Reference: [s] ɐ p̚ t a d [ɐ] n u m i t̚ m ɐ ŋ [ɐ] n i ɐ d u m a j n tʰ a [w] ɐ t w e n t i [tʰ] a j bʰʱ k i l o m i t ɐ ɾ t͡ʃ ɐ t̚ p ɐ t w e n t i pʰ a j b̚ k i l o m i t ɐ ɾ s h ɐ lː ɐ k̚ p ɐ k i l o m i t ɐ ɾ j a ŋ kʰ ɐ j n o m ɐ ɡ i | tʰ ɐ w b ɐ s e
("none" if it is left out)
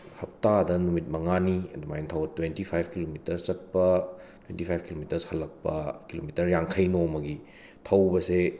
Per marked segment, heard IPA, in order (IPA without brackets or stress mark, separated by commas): h, ɐ, a, w, pʰ